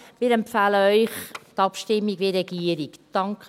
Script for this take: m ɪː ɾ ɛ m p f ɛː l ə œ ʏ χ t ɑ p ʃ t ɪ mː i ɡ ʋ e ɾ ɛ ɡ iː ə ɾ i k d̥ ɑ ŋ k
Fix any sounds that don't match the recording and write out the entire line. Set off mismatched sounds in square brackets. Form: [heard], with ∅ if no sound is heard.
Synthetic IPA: m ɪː ɾ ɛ m p f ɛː l ə œ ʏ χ t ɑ p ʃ t ɪ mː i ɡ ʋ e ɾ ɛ ɡ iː ə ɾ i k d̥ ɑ ŋ k